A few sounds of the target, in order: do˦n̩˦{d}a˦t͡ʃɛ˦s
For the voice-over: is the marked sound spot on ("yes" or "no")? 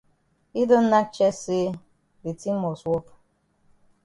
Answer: no